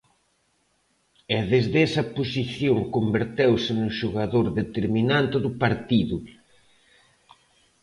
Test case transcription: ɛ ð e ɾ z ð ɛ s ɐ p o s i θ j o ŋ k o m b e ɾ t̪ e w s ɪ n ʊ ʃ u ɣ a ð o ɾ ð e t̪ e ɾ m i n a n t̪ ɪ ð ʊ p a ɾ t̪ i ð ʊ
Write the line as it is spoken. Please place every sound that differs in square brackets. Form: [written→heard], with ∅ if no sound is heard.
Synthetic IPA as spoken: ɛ ð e [ɾ→∅] z ð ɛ s ɐ p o s i θ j o ŋ k o m b e ɾ t̪ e w s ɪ n ʊ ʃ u ɣ a ð o ɾ ð e t̪ e ɾ m i n a n t̪ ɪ ð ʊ p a ɾ t̪ i ð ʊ